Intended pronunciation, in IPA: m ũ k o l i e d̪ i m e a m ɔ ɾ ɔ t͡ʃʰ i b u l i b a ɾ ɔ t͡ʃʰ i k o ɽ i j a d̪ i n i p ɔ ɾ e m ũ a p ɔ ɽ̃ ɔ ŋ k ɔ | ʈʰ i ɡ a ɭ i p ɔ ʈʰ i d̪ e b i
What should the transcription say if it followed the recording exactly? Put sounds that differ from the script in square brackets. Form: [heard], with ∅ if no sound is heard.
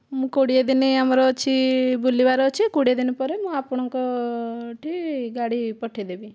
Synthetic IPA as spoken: m ũ k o [ɽ] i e d̪ i [n] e a m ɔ ɾ ɔ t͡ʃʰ i b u l i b a ɾ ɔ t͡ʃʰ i k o ɽ i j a d̪ i n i p ɔ ɾ e m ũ a p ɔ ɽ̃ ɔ ŋ k ɔ | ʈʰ i ɡ a [ɽ] i p ɔ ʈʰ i d̪ e b i